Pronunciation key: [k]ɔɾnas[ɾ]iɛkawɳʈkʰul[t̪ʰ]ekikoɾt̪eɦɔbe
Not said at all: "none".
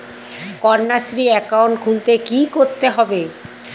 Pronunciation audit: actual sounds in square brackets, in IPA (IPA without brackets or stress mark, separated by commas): k, ɾ, t̪